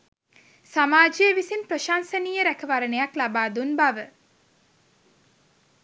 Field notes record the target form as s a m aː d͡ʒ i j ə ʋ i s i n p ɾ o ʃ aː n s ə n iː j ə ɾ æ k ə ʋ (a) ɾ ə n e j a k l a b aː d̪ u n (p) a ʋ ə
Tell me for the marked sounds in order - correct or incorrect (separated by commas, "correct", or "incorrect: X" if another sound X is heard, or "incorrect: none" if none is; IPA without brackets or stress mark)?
correct, incorrect: b